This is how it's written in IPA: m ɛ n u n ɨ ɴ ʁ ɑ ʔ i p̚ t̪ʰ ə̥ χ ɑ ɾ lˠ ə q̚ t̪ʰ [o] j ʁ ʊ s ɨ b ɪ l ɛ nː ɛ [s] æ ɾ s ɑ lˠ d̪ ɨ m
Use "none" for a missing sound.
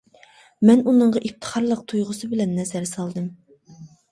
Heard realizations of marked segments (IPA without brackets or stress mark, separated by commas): u, z